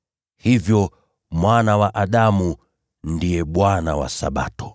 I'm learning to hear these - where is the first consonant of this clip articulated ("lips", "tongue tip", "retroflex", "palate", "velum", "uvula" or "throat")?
throat